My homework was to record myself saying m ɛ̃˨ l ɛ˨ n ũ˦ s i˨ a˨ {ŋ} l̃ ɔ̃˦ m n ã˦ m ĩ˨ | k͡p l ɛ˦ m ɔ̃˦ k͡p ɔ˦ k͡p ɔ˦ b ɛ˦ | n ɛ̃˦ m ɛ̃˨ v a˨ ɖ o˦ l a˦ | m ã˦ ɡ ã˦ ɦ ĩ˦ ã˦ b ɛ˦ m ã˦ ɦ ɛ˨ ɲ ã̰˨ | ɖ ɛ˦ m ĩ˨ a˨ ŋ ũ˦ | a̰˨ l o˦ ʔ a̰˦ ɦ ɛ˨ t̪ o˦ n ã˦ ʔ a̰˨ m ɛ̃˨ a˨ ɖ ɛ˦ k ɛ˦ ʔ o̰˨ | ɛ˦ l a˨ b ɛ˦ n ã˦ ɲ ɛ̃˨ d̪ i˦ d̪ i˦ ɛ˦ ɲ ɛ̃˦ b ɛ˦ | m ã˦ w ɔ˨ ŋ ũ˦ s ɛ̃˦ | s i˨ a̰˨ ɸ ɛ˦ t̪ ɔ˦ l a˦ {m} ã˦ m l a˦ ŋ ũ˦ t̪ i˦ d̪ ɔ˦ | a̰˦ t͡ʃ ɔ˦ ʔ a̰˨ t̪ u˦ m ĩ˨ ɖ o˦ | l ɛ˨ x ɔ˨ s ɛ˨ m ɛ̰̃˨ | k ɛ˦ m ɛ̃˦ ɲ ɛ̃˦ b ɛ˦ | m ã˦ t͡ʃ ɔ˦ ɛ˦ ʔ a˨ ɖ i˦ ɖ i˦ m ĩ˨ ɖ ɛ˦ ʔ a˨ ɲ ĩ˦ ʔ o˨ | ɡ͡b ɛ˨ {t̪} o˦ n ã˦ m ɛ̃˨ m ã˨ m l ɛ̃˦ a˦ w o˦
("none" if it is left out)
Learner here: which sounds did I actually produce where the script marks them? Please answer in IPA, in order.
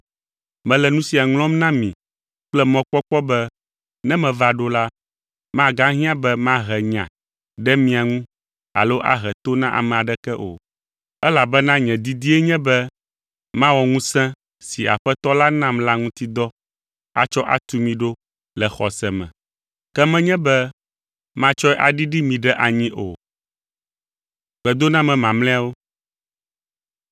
ŋ, n, d̪

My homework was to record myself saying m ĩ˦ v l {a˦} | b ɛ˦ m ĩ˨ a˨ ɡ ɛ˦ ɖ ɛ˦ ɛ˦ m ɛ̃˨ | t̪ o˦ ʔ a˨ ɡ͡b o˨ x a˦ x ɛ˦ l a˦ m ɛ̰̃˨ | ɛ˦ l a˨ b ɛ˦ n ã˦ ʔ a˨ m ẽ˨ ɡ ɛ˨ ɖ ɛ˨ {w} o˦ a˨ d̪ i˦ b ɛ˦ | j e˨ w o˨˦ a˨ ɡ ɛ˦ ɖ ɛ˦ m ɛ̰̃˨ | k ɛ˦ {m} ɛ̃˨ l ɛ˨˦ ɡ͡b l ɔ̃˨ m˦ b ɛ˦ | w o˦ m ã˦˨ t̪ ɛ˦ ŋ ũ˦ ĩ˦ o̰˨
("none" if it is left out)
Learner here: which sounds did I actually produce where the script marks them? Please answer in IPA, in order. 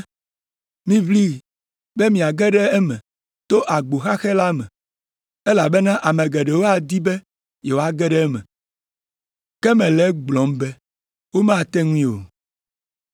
i˦, w, m

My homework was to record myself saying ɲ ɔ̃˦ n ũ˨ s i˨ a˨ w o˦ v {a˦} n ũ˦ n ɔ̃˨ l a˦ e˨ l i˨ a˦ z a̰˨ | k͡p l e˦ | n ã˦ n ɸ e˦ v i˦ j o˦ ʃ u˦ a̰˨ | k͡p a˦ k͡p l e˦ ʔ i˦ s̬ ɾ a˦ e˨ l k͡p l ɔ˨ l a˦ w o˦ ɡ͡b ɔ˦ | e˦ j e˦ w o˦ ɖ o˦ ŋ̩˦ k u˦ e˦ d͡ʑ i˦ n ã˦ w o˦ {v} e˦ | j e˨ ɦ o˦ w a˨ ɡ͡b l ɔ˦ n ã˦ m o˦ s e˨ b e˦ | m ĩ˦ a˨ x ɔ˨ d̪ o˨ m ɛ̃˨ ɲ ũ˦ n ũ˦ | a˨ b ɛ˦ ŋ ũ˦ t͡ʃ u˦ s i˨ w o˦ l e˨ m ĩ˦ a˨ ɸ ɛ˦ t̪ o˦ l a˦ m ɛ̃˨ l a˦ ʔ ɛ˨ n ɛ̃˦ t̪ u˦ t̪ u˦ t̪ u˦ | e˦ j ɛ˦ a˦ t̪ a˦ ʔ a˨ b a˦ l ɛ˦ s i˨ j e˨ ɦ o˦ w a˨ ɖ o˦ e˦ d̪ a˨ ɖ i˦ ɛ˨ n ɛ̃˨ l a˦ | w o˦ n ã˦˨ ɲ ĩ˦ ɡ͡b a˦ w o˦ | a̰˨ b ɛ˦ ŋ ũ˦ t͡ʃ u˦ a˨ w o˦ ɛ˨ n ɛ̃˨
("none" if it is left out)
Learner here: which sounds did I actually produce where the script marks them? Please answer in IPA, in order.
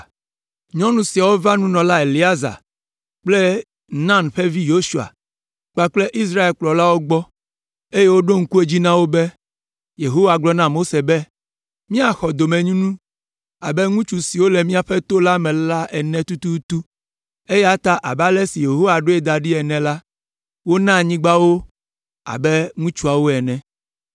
a˦, b

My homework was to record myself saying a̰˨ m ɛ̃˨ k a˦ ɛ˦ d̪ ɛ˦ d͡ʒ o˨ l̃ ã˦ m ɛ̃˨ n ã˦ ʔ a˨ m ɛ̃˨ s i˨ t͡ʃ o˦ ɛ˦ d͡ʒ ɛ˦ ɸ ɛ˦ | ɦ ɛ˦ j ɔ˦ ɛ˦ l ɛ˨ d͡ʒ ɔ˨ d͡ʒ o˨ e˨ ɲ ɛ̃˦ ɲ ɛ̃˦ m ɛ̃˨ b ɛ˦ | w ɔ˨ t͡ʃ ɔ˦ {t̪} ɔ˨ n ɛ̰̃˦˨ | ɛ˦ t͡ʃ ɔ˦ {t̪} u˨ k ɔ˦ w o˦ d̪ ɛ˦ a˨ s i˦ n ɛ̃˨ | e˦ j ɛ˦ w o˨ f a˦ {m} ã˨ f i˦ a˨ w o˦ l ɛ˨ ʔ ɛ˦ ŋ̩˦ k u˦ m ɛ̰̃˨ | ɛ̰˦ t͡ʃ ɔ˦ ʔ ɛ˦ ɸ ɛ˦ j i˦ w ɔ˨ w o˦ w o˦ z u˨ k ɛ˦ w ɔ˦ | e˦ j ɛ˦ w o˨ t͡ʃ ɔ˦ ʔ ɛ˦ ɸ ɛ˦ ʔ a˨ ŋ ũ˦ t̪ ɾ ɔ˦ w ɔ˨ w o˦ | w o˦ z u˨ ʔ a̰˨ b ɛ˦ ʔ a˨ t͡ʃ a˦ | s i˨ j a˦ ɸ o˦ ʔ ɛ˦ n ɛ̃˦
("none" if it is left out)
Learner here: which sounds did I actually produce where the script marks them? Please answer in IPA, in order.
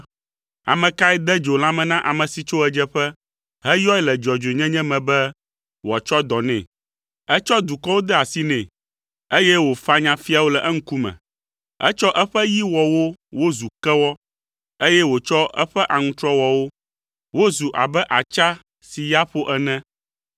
d̪, d̪, ɲ

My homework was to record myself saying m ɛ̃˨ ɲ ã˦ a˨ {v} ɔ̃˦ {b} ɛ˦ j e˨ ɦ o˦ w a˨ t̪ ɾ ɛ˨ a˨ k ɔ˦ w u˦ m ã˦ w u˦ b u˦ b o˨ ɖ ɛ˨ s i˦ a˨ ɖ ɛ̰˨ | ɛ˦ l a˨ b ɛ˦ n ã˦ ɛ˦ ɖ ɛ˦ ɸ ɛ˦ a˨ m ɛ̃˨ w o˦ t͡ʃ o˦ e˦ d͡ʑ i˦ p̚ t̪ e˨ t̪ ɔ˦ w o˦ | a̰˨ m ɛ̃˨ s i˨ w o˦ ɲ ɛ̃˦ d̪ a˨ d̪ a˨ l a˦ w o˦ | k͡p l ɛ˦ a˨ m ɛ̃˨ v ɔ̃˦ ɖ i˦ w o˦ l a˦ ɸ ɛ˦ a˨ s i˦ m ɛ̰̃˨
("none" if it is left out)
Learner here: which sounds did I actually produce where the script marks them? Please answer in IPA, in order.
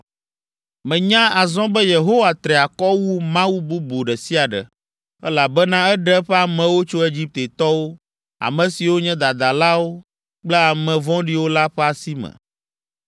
z, b

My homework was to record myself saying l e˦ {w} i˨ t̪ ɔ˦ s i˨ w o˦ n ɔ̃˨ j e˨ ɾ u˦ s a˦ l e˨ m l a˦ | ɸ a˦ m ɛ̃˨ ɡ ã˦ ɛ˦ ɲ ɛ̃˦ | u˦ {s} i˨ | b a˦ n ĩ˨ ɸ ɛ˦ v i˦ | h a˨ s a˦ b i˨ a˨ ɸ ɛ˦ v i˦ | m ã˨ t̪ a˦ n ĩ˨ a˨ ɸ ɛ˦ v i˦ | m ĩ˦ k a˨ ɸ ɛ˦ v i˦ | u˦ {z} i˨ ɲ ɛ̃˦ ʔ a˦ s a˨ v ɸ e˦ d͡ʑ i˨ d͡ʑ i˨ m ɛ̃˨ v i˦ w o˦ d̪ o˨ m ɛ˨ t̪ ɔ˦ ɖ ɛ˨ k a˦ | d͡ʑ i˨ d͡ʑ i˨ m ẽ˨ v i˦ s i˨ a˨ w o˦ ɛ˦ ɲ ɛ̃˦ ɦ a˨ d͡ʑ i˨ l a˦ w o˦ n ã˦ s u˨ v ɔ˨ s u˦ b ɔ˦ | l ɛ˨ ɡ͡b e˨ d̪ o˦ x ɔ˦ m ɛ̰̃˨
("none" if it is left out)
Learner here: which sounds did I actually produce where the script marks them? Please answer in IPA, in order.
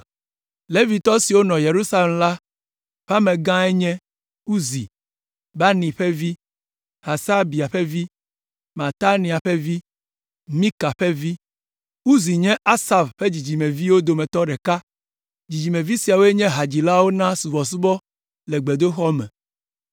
v, z, z

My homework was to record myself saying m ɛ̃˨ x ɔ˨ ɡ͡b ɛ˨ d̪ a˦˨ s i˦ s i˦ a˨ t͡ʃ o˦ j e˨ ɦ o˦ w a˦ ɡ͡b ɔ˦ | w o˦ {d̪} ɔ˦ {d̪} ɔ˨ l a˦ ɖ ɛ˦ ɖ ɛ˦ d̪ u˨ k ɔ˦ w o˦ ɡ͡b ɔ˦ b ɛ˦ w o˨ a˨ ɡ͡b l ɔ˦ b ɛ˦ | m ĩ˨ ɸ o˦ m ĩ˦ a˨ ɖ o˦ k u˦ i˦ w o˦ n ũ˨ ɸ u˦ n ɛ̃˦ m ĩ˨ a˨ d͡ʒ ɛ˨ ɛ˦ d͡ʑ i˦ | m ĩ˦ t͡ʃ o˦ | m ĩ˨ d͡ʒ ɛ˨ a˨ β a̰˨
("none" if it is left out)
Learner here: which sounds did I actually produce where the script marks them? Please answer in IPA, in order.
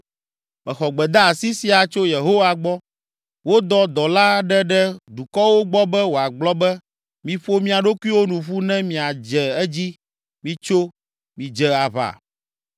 d̪, d̪

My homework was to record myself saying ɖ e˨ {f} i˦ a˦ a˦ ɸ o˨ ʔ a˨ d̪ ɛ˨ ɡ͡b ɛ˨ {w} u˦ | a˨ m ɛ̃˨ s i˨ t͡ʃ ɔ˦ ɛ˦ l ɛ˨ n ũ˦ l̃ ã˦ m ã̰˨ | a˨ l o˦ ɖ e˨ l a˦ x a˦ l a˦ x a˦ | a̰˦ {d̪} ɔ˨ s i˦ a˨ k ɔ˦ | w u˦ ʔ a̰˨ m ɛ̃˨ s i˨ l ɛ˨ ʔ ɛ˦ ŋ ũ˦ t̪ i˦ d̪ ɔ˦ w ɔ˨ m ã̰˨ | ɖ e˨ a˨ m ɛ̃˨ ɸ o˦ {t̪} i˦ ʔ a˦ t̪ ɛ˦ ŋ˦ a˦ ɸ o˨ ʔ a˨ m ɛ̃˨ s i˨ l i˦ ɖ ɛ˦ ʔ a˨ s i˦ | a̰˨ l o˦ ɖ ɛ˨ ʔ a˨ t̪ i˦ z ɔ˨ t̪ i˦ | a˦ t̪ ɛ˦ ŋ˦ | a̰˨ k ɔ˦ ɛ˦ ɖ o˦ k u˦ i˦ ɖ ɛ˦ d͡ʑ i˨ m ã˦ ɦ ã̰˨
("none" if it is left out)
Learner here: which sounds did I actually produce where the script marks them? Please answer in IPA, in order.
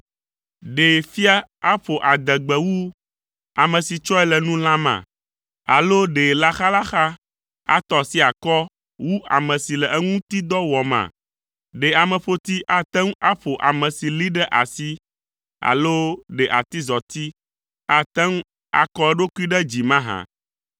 f, w, t̪, t̪

